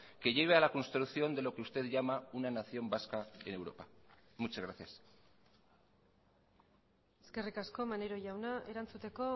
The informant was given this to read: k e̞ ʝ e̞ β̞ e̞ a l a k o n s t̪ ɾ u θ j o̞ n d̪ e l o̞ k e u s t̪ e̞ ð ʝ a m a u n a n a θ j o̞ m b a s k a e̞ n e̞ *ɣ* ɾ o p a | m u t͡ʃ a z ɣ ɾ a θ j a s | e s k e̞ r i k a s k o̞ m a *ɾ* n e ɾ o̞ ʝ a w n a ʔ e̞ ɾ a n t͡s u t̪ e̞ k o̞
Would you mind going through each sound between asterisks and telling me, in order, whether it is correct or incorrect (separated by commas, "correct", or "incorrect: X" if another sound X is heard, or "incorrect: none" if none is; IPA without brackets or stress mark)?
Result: incorrect: w, incorrect: none